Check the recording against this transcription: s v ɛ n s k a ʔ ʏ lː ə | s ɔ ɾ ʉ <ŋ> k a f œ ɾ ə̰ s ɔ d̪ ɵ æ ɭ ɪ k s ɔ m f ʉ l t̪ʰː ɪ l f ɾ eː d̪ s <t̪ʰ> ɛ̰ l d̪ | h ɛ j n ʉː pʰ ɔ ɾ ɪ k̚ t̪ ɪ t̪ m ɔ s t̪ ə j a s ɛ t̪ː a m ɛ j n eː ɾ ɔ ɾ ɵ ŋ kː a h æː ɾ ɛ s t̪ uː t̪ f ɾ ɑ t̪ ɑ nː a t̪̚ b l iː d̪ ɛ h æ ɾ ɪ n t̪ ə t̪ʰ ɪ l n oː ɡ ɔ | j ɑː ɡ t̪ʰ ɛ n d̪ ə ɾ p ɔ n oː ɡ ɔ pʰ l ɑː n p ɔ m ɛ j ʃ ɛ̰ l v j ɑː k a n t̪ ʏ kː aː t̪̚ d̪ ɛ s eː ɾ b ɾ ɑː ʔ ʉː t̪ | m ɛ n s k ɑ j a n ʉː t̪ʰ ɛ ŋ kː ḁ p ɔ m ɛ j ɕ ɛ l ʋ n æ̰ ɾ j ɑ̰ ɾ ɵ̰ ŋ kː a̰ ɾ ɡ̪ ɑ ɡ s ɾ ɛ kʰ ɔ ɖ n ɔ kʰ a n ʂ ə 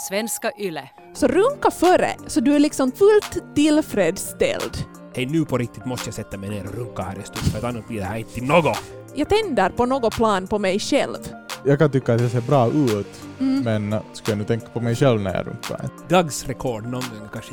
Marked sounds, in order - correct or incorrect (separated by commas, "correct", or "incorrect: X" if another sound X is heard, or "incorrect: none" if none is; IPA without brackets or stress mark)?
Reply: correct, incorrect: t̪